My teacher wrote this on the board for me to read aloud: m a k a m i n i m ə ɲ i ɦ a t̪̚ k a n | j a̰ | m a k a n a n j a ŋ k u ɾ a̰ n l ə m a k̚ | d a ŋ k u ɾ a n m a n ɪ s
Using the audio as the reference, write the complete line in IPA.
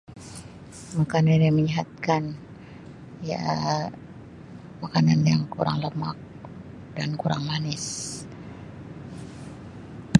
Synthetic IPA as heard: m a k a n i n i m ə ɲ i ɦ a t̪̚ k a n | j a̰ | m a k a n a n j a ŋ k u ɾ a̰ ŋ l ə m a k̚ | d a n k u ɾ a ŋ m a n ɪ s